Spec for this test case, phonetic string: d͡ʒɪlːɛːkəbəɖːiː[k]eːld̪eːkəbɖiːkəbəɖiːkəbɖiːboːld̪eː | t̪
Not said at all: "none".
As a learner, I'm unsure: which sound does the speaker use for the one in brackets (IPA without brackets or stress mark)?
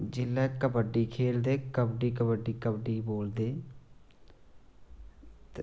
kʰ